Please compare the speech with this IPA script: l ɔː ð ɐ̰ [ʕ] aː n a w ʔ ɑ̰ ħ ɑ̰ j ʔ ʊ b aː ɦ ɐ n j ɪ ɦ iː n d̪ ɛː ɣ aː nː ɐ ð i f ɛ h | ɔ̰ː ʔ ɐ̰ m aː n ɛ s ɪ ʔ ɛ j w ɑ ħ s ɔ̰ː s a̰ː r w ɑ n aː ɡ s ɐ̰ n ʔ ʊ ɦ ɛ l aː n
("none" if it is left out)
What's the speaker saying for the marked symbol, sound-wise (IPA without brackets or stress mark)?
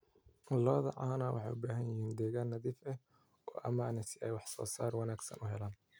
ʕ